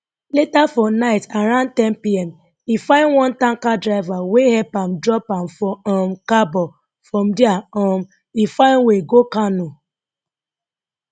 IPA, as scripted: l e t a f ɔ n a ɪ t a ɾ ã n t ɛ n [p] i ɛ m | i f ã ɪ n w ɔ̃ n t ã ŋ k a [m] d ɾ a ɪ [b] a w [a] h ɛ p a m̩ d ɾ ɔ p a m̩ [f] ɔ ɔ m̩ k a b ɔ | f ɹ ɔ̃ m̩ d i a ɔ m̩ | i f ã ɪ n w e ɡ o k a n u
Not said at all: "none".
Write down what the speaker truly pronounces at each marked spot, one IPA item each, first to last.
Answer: p, none, v, e, f

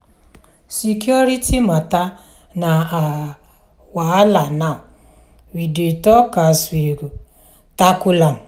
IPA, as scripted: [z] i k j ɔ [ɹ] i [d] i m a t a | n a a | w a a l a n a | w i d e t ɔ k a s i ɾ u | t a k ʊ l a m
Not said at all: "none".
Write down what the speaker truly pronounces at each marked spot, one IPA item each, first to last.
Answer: s, ɾ, t

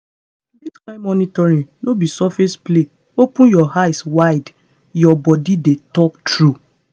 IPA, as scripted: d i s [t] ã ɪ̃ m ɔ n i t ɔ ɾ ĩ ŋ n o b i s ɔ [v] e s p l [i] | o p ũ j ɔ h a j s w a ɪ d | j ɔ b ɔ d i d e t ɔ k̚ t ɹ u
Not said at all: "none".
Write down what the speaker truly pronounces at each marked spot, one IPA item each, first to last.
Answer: k, f, e

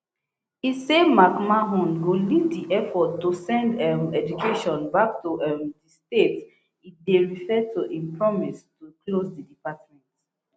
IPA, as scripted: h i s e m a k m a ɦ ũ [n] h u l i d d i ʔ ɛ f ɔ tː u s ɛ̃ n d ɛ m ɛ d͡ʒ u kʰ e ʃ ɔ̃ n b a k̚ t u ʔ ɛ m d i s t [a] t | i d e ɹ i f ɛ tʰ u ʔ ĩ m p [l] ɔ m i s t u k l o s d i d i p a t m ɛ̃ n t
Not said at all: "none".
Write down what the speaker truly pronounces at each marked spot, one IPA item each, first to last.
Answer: n, e, ɹ

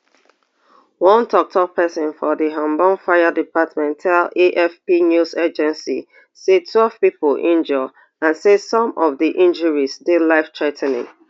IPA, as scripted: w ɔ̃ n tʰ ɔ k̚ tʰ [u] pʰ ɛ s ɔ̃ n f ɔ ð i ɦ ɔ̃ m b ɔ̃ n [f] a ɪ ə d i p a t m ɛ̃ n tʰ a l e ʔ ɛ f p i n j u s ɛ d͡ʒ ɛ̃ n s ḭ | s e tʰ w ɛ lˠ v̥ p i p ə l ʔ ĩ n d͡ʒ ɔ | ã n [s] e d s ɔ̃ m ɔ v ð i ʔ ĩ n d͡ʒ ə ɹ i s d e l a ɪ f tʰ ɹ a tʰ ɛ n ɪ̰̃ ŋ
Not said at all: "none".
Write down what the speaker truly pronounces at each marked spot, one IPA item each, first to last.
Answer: ɔ, f, s

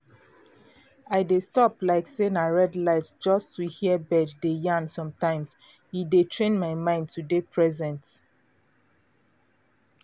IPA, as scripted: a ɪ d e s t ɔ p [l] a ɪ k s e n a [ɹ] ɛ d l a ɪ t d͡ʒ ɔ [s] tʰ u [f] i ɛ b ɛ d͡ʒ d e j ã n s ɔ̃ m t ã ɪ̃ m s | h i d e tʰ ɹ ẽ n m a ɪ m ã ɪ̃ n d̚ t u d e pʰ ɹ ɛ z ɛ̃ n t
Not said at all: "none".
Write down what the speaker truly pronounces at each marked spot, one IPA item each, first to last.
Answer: l, ɹ, s, h

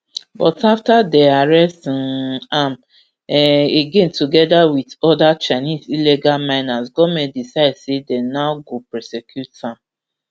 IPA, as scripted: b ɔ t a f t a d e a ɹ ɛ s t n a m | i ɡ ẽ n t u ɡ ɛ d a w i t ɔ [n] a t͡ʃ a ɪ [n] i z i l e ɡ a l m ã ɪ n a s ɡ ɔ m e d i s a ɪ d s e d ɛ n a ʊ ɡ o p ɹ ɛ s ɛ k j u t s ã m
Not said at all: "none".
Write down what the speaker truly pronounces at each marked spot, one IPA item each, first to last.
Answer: d, n

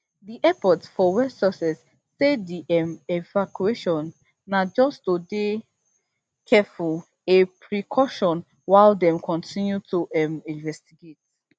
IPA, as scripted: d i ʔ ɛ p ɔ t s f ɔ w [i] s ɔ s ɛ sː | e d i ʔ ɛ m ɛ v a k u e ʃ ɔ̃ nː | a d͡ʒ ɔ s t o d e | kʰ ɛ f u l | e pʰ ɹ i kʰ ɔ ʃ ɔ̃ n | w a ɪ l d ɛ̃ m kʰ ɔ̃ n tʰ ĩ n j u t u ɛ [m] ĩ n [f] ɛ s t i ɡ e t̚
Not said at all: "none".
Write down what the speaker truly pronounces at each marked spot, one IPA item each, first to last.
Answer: ɛ, m, v

